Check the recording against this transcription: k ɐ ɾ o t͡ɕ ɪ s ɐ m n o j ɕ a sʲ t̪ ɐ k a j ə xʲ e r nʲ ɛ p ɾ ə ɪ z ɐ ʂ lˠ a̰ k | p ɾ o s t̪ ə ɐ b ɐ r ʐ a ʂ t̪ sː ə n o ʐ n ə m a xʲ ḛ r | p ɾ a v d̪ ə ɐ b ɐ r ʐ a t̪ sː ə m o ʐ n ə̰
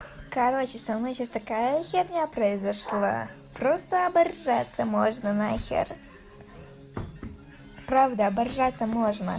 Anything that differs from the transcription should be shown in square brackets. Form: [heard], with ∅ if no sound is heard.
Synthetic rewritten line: k ɐ ɾ o t͡ɕ ɪ s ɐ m n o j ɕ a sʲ t̪ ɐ k a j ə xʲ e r nʲ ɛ p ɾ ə ɪ z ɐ ʂ lˠ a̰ [∅] | p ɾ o s t̪ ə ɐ b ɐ r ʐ a [∅] t̪ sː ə [m] o ʐ n ə [n] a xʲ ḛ r | p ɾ a v d̪ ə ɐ b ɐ r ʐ a t̪ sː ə m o ʐ n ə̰